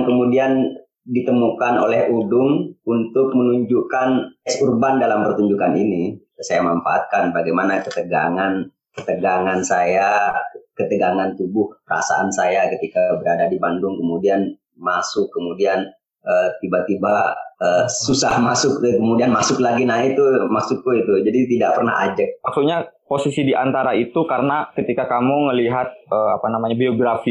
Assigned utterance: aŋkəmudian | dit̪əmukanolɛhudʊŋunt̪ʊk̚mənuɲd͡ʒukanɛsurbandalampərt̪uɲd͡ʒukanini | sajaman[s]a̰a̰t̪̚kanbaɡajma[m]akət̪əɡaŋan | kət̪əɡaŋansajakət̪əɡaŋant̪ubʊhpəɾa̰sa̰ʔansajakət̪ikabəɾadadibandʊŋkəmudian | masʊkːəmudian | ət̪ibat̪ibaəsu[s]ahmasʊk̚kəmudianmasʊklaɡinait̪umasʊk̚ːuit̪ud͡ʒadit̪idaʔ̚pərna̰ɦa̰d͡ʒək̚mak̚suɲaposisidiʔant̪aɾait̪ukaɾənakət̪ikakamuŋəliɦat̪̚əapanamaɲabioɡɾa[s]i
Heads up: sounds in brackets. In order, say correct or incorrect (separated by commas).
incorrect, incorrect, correct, incorrect